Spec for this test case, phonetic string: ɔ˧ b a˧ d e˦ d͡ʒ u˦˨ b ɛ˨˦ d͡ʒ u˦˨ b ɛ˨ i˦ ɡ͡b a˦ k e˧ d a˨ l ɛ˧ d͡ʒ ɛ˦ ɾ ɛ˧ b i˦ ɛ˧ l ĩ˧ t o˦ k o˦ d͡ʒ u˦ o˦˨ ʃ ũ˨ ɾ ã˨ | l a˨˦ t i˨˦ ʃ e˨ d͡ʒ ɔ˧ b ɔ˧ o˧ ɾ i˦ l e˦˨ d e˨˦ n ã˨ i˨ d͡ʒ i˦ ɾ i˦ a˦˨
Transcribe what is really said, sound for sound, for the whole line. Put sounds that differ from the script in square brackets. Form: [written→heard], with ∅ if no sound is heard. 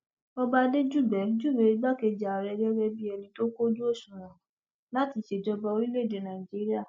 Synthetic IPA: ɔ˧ b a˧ d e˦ d͡ʒ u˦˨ b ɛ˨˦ d͡ʒ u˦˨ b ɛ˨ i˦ ɡ͡b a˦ k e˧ [d→d͡ʒ] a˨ [l→ɾ] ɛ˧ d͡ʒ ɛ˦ ɾ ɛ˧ b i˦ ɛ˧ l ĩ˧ t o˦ k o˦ d͡ʒ u˦ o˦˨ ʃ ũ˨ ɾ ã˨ | l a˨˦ t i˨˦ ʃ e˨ d͡ʒ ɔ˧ b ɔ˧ o˧ ɾ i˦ l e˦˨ d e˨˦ n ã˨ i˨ d͡ʒ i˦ ɾ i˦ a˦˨